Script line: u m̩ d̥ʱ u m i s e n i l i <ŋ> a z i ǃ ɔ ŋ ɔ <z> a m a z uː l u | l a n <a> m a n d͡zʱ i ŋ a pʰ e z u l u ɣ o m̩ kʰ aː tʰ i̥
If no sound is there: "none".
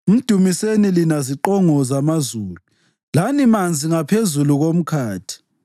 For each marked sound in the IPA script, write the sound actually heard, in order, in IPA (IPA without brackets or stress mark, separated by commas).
n, z, i